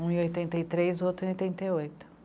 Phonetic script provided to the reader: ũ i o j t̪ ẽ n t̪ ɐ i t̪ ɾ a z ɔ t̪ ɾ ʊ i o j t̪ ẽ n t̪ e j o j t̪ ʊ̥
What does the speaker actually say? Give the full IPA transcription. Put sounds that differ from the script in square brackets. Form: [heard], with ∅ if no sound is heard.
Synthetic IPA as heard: ũ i o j t̪ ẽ n t̪ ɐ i t̪ ɾ [e] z [o] t̪ ɾ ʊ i o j t̪ ẽ n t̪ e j o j t̪ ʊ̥